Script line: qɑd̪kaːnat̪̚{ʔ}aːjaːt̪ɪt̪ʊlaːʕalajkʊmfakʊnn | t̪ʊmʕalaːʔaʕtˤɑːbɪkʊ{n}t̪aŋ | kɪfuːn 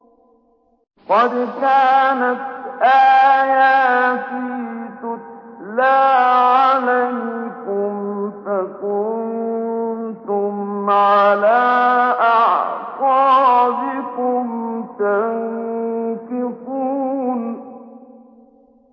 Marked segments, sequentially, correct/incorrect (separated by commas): correct, incorrect